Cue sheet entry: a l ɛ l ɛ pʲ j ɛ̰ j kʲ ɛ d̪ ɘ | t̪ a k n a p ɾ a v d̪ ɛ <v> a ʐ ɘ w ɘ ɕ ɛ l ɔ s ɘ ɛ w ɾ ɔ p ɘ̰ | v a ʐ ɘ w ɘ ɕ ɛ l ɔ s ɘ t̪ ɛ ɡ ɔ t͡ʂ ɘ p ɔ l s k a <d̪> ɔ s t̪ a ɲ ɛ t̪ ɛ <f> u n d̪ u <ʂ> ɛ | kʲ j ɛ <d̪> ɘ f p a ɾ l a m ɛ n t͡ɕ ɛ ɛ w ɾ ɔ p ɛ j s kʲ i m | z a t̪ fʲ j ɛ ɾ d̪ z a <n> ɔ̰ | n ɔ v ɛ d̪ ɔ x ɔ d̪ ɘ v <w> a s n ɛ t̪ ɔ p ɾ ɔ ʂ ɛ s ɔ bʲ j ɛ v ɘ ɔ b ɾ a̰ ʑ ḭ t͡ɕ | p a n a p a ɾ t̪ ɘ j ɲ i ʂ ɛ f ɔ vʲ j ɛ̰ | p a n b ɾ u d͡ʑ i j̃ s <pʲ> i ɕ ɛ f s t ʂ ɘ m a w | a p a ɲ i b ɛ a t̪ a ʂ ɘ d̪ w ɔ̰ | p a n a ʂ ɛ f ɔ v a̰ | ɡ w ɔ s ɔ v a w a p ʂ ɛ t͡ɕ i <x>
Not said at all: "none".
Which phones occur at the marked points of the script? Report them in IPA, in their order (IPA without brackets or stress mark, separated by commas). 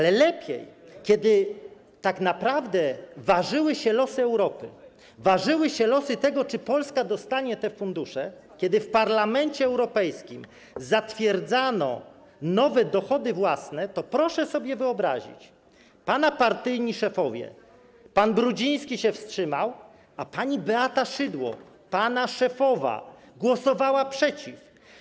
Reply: v, d̪, f, ʂ, d̪, n, w, kʲ, f